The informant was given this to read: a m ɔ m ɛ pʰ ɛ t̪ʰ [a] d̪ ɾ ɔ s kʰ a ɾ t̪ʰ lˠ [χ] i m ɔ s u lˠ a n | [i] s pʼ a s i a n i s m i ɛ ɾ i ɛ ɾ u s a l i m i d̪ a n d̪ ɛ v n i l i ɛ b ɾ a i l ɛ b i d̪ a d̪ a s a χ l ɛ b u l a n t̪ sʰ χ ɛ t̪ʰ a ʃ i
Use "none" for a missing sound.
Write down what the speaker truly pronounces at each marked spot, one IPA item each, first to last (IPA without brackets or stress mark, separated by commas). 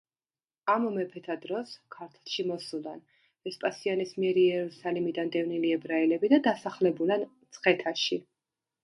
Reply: a, ʃ, ɛ